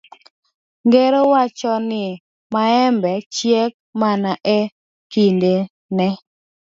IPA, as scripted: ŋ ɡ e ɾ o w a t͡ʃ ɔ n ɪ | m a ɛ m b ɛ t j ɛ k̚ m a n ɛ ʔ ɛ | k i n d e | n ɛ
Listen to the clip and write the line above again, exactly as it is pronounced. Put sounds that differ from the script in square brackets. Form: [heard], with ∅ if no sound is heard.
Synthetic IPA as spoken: ŋ ɡ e ɾ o w a t͡ʃ ɔ n ɪ | m a ɛ m b ɛ [t͡ʃ] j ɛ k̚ m a n [a] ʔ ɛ | k i n d e | n ɛ